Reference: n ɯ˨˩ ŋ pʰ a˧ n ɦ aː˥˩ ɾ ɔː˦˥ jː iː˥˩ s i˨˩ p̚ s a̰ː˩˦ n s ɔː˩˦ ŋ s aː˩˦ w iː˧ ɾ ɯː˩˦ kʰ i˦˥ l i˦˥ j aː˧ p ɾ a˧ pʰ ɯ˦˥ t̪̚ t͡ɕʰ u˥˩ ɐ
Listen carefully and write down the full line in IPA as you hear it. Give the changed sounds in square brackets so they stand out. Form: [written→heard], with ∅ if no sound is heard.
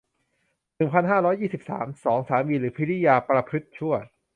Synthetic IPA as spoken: n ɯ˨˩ ŋ pʰ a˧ n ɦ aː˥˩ ɾ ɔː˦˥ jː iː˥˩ s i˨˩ p̚ s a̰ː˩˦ [n→m] s ɔː˩˦ ŋ s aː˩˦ w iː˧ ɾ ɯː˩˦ [kʰ→pʰ] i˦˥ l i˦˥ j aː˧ p ɾ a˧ pʰ ɯ˦˥ t̪̚ t͡ɕʰ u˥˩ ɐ